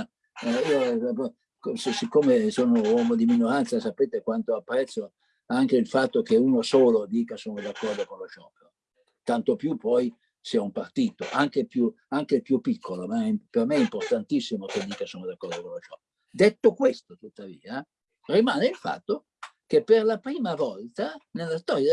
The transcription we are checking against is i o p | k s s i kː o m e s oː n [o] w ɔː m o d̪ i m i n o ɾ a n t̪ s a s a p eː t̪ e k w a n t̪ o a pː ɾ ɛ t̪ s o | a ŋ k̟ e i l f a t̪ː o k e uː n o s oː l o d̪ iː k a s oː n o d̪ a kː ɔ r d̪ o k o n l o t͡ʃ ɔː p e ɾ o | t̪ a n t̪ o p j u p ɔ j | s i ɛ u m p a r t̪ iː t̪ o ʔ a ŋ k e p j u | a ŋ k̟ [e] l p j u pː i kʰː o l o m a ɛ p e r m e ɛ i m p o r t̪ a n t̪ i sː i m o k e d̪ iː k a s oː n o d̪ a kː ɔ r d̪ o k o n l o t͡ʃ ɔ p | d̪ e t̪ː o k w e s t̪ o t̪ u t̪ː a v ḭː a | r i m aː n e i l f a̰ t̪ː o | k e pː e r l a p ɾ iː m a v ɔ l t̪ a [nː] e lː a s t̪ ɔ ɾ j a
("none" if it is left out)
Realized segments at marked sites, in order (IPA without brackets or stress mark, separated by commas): o, e, n